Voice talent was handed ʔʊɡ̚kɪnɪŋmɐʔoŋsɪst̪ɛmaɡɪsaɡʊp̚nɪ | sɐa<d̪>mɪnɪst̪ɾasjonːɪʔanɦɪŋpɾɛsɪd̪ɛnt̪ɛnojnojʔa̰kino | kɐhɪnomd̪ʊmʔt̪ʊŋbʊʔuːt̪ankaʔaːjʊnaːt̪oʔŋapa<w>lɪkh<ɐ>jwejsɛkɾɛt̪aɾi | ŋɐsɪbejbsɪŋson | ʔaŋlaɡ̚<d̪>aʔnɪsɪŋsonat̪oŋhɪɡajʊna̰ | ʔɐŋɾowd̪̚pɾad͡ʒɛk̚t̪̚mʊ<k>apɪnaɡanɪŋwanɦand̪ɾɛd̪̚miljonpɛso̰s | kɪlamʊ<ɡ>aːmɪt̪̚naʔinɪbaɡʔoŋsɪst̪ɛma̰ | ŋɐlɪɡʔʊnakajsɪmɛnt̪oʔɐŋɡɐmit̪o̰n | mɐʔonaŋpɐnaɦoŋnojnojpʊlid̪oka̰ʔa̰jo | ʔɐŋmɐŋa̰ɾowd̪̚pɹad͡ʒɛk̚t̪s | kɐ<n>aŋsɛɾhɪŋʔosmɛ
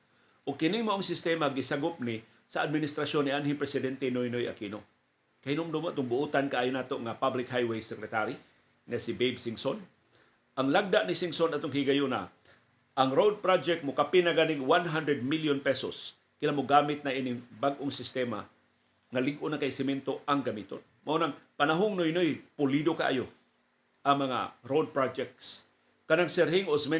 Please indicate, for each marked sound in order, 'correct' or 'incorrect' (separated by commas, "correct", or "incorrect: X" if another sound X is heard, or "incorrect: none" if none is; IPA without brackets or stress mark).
correct, incorrect: b, incorrect: a, correct, correct, correct, correct